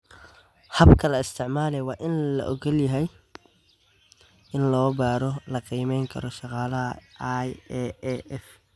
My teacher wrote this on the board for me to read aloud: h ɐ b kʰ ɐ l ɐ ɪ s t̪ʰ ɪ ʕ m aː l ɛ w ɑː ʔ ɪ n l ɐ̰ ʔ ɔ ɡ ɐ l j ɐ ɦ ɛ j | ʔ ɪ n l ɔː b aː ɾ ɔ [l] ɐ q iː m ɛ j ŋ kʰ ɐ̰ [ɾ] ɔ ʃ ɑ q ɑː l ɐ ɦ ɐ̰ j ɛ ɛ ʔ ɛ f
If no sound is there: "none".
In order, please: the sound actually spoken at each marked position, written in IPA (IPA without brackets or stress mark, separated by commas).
l, ɾ